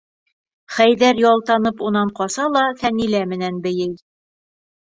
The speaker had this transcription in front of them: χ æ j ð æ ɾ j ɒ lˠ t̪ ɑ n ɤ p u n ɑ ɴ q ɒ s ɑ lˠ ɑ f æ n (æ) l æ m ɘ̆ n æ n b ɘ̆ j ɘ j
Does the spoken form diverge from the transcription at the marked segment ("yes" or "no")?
yes